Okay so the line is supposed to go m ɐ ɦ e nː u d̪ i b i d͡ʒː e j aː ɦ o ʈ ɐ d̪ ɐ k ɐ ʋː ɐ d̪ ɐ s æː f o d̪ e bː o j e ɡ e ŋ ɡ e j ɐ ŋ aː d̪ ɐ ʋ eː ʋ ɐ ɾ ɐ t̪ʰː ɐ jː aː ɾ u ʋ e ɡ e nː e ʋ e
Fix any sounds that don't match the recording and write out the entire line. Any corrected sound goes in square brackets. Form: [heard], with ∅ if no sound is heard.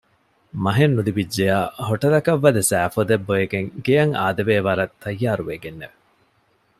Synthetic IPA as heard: m ɐ ɦ e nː u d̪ i b i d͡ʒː e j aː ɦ o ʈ ɐ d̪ ɐ k ɐ ʋː ɐ d̪ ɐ s æː f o d̪ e bː o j e ɡ e ŋ ɡ e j ɐ ŋ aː d̪ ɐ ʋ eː ʋ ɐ ɾ ɐ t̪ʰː ɐ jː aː ɾ u ʋ e ɡ e nː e ʋ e